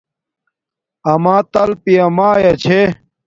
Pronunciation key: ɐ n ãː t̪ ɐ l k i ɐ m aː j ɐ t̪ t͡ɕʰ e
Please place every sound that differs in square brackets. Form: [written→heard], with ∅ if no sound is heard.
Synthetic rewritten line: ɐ [n→m] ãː t̪ ɐ l [k→p] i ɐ m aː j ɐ [t̪→∅] t͡ɕʰ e